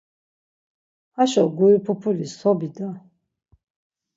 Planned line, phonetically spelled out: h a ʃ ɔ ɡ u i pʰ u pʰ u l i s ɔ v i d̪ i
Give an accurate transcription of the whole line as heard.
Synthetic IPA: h a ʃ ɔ ɡ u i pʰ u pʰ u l i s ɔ b i d̪ a